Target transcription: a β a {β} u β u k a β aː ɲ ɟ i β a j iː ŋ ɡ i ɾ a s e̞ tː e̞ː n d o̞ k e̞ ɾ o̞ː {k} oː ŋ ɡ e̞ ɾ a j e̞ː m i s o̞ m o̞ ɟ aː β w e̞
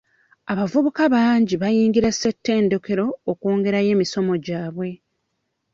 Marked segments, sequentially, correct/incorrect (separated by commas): incorrect, correct